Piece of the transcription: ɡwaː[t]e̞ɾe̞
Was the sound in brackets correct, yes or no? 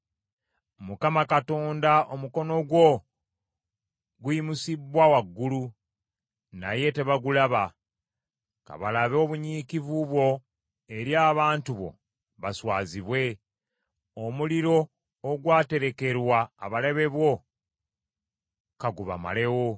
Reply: yes